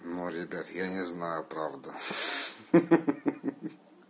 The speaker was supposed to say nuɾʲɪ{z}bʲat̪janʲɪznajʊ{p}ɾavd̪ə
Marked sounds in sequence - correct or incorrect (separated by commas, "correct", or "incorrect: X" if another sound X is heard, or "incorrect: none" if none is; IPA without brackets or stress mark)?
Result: incorrect: none, correct